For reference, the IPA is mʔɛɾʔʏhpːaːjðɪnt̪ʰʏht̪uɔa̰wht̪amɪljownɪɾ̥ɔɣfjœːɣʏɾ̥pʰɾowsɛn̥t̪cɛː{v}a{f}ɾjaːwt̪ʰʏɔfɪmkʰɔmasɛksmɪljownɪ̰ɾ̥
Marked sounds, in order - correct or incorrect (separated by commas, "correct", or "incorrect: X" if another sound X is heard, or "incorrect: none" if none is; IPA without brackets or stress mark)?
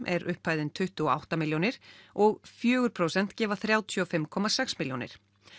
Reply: correct, incorrect: θ